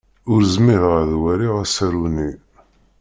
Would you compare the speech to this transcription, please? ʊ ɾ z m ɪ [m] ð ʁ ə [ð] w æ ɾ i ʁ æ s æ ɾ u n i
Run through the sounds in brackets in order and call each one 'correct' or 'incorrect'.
incorrect: none, correct

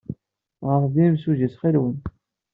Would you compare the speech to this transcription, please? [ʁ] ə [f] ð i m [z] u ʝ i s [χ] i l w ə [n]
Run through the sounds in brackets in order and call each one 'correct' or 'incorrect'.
correct, correct, incorrect: s, correct, correct

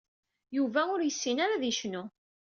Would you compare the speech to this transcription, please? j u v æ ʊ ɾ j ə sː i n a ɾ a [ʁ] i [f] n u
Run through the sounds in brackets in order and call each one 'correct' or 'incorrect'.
incorrect: ð, incorrect: ʃ

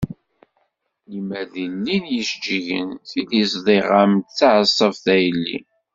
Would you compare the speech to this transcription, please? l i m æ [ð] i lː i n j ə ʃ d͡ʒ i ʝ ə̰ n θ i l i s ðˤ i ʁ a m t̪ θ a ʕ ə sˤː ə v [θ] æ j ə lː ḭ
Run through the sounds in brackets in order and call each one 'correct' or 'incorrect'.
correct, correct

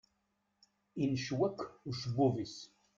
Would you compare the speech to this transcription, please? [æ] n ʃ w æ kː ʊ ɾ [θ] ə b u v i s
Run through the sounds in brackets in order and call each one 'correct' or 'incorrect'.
incorrect: i, incorrect: ʃ

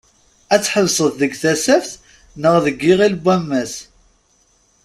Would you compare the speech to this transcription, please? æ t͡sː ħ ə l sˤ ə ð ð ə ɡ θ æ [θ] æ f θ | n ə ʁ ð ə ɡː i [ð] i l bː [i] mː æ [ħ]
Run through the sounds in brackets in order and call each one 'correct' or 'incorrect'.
incorrect: s, incorrect: ʁ, incorrect: æ, incorrect: s

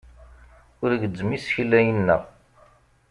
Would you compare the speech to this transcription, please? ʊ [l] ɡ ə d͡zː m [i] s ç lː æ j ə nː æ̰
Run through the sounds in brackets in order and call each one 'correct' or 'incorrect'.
incorrect: ɾ, correct

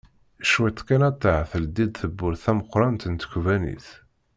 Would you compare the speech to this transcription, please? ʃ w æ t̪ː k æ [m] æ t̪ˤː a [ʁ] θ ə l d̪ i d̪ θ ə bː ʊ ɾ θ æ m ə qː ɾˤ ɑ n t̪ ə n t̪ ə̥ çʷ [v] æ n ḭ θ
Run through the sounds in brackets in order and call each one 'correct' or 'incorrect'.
incorrect: n, incorrect: ʕ, correct

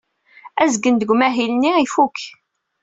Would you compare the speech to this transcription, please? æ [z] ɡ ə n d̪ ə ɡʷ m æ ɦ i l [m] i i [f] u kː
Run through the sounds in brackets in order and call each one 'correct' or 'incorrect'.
correct, incorrect: n, correct

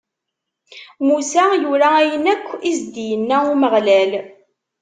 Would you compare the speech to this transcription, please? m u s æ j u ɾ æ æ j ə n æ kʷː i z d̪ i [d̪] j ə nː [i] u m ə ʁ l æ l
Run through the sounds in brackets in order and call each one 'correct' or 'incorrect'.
incorrect: none, incorrect: æ

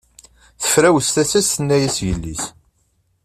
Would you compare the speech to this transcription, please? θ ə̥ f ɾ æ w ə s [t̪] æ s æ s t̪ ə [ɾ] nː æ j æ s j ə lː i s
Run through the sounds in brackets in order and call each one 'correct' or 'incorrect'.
correct, incorrect: none

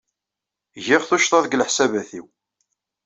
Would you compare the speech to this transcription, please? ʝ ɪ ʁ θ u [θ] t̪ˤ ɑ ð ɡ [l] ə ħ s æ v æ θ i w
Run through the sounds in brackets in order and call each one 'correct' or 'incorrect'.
incorrect: ʃ, correct

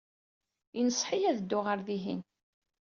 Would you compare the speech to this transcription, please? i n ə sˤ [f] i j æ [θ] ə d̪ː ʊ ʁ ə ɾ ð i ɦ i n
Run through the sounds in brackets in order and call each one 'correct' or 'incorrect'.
incorrect: ħ, incorrect: ð

